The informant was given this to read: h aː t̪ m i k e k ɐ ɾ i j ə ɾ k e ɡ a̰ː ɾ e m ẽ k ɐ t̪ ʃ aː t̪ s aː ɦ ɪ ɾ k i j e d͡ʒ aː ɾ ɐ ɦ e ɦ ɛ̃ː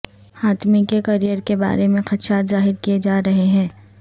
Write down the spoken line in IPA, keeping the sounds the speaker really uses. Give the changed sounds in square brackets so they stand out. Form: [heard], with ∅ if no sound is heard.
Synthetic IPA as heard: h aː t̪ m i k e k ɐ ɾ i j ə ɾ k e [b] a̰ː ɾ e m ẽ [x] ɐ t̪ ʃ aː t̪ [z] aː ɦ ɪ ɾ k i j e d͡ʒ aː ɾ ɐ ɦ e ɦ ɛ̃ː

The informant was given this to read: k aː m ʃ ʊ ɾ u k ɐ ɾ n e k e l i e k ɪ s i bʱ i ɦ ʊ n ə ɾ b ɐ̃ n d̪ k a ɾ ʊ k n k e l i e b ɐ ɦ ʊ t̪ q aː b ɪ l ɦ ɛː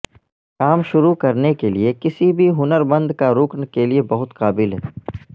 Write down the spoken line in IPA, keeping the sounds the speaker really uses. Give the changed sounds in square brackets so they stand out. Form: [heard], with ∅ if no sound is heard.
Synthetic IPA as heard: k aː m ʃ ʊ ɾ u k ɐ ɾ n e k e l i e k ɪ s i bʱ i ɦ ʊ n ə ɾ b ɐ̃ n d̪ k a ɾ ʊ k n k e l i e b ɐ ɦ ʊ t̪ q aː b ɪ l ɦ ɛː

